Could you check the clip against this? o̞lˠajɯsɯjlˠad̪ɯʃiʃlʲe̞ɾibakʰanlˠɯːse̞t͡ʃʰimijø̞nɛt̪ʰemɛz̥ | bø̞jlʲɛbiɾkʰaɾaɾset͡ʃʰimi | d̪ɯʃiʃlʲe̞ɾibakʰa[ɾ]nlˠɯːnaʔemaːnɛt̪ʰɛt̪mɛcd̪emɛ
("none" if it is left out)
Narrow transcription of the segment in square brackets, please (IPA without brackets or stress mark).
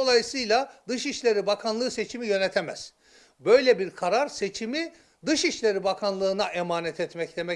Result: none